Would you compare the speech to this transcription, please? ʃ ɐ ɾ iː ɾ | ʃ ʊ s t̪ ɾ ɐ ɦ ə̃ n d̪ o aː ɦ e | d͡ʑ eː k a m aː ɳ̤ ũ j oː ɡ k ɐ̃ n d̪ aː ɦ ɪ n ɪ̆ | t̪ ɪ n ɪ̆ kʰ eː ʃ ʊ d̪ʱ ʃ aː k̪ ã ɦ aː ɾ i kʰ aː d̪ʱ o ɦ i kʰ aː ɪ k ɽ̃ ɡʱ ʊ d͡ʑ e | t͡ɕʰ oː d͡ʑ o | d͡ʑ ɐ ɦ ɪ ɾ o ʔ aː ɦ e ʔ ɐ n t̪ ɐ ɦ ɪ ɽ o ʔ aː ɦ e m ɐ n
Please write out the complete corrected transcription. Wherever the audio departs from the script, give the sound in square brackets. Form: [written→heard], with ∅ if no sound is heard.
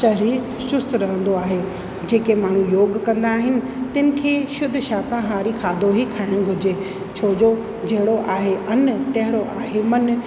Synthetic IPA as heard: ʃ ɐ ɾ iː ɾ | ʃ ʊ s t̪ ɾ ɐ ɦ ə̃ n d̪ o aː ɦ e | d͡ʑ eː k [a→e] m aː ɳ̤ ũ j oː ɡ k ɐ̃ n d̪ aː ɦ ɪ n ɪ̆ | t̪ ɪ n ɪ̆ kʰ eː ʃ ʊ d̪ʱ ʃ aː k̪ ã ɦ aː ɾ i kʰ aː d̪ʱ o ɦ i kʰ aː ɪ [k→∅] ɽ̃ ɡʱ ʊ d͡ʑ e | t͡ɕʰ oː d͡ʑ o | d͡ʑ ɐ ɦ ɪ [ɾ→ɽ] o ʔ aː ɦ e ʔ ɐ n t̪ ɐ ɦ ɪ ɽ o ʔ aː ɦ e m ɐ n